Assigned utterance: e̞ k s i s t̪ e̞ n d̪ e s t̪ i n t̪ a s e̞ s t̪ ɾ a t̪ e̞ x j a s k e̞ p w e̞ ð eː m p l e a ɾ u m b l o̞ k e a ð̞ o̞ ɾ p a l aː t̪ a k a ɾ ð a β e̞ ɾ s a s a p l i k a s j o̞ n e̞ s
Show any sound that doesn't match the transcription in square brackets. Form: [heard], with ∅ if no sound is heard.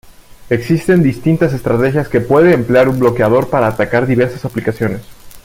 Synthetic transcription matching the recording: e̞ k s i s t̪ e̞ n d̪ [i] s t̪ i n t̪ a s e̞ s t̪ ɾ a t̪ e̞ x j a s k e̞ p w e̞ ð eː m p l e a ɾ u m b l o̞ k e a ð̞ o̞ ɾ p a [ɾ] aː t̪ a k a ɾ ð [i] β e̞ ɾ s a s a p l i k a s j o̞ n e̞ s